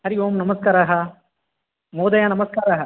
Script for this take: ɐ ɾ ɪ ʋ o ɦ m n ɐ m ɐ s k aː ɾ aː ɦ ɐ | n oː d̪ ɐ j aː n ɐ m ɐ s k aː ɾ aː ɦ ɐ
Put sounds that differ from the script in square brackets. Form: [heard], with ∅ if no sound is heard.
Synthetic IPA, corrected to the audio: ɐ ɾ ɪ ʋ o [∅] m n ɐ m ɐ s k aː ɾ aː ɦ ɐ | [m] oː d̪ ɐ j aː n ɐ m ɐ s k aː ɾ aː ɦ ɐ